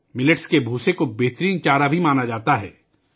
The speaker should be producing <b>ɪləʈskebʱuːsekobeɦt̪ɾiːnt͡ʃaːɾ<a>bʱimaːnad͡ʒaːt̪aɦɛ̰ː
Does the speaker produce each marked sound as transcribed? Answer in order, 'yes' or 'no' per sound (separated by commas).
no, yes